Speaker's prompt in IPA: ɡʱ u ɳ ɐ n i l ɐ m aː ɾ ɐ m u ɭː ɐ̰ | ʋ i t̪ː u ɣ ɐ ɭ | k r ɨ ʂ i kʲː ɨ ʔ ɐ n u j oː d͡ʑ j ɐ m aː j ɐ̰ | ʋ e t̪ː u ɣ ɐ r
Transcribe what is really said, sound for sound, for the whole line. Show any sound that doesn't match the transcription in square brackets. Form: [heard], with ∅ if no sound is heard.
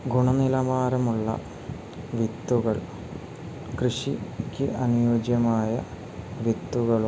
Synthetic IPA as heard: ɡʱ u ɳ ɐ n i l ɐ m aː ɾ ɐ m u ɭː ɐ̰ | ʋ i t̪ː u ɣ ɐ ɭ | k r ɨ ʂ i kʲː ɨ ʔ ɐ n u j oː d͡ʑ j ɐ m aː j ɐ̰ | ʋ [i] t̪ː u ɣ ɐ [ɭ]